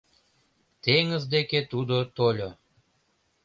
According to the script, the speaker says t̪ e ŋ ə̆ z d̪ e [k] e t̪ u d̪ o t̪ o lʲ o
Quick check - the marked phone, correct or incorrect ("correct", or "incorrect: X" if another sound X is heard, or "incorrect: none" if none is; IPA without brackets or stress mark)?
correct